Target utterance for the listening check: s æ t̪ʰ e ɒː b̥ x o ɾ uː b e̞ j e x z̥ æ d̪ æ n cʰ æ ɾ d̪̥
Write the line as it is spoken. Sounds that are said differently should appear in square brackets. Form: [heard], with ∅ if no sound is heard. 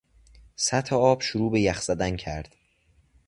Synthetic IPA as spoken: s æ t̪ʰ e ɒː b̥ [ʃ] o ɾ uː b e̞ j [æ] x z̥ æ d̪ æ n cʰ æ ɾ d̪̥